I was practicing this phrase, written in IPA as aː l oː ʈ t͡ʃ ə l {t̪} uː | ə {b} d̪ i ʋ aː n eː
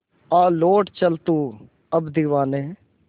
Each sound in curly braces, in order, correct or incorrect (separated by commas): correct, correct